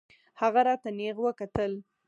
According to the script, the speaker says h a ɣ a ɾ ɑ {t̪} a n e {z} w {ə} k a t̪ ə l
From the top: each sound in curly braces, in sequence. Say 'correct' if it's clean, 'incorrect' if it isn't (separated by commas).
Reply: correct, incorrect, correct